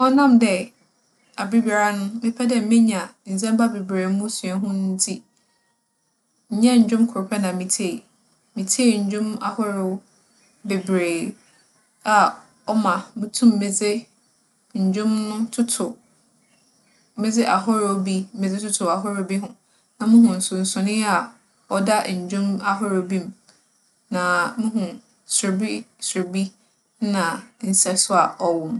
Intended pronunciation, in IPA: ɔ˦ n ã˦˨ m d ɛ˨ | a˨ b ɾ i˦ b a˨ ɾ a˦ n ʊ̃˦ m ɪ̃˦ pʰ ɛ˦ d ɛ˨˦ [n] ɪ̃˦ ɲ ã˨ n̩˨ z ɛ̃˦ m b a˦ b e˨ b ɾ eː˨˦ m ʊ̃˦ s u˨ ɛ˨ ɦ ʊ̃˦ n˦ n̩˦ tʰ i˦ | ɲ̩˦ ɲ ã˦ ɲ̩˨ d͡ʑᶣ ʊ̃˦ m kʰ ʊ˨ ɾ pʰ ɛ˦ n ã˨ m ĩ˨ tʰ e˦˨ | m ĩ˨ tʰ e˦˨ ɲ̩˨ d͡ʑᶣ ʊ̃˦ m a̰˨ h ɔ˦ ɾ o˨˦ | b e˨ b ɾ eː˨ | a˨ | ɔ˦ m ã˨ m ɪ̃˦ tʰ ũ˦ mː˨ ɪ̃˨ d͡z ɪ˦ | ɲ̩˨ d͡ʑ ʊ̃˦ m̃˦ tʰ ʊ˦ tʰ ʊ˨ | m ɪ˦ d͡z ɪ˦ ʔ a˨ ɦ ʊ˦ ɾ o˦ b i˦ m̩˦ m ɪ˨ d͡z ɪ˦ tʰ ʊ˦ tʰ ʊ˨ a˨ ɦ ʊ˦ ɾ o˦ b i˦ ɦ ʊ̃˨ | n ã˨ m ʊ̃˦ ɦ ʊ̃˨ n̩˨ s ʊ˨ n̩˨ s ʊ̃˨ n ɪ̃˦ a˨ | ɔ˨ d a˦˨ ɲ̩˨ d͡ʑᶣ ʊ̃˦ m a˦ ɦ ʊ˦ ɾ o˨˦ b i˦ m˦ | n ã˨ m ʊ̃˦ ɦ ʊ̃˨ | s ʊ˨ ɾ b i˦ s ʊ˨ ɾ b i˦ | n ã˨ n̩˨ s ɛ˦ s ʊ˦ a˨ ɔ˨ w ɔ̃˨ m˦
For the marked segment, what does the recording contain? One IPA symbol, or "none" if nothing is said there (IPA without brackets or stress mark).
m